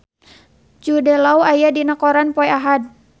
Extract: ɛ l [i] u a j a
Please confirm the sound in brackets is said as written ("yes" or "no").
no